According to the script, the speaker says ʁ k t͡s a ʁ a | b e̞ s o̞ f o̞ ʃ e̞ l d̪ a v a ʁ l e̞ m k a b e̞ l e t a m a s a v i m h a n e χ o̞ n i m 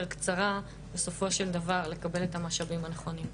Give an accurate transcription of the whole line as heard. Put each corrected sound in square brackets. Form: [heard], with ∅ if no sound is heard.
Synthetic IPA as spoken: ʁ k t͡s a ʁ a | b e̞ s o̞ f o̞ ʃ e̞ l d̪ a v a ʁ l e̞ [∅] k a b e̞ l e t a m a [ʃ] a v i m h a n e χ o̞ n i m